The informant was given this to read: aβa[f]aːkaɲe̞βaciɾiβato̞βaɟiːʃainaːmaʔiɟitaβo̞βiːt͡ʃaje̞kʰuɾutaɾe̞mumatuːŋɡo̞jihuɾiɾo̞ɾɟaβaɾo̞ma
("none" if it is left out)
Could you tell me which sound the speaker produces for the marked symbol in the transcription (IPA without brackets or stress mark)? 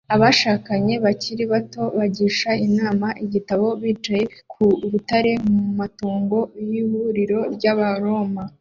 ʃ